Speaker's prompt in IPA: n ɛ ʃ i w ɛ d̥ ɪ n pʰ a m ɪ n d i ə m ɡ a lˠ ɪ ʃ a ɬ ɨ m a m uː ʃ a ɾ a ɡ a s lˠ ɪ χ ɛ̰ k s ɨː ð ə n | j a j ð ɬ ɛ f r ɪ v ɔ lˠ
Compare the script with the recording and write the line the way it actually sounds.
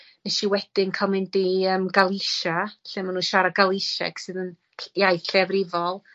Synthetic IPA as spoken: n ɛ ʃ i w ɛ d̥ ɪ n kʰ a m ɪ n d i ə m ɡ a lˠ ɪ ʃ a ɬ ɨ m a n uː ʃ a ɾ a ɡ a lˠ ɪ ʃ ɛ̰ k s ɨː ð ə n | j a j θ ɬ ɛ v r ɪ v ɔ lˠ